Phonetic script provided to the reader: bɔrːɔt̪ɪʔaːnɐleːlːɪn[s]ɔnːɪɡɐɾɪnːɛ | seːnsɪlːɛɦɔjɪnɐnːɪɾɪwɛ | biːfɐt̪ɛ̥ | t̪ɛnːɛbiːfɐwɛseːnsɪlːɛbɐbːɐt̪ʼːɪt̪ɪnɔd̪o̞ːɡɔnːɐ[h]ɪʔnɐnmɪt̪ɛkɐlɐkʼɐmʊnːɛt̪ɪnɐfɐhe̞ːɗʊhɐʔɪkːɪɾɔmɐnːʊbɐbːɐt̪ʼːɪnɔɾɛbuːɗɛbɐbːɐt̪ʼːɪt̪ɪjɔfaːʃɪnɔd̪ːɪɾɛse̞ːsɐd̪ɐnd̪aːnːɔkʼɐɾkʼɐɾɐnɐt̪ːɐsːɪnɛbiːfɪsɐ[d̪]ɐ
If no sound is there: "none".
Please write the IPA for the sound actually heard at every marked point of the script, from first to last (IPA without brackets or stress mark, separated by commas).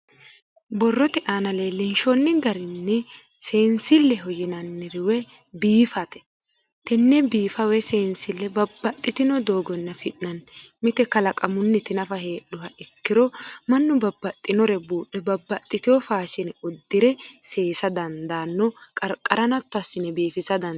ʃ, f, d̪